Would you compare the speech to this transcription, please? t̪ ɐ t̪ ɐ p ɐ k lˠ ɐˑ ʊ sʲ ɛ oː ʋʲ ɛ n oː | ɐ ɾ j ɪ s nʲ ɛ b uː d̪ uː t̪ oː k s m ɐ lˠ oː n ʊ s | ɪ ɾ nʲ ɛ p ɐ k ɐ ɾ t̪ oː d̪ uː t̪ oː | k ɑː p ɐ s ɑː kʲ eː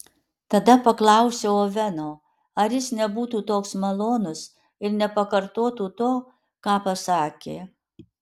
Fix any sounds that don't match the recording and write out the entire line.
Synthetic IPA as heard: t̪ ɐ d̪ ɐ p ɐ k lˠ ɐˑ ʊ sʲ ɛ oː ʋʲ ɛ n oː | ɐ ɾ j ɪ s nʲ ɛ b uː t̪ uː t̪ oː k s m ɐ lˠ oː n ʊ s | ɪ ɾ nʲ ɛ p ɐ k ɐ ɾ t̪ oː t̪ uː t̪ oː | k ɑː p ɐ s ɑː kʲ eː